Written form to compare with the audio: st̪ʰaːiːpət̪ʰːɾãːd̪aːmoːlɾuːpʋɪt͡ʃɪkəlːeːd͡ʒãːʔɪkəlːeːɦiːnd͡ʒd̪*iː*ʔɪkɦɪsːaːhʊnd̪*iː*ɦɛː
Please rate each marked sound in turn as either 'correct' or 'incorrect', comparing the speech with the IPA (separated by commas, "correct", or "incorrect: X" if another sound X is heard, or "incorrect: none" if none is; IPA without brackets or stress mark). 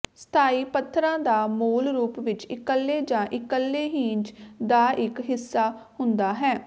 incorrect: aː, incorrect: aː